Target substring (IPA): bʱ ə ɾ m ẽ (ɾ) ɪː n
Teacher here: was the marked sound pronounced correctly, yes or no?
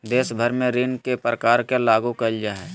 yes